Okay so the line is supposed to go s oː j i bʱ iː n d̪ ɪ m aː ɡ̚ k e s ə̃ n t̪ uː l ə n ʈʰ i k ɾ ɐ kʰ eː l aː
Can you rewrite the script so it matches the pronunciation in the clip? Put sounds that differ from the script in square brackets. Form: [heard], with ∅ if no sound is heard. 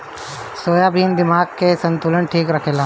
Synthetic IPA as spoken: s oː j [a] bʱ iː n d̪ ɪ m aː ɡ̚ k e s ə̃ n t̪ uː l ə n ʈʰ [iː] k ɾ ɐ kʰ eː l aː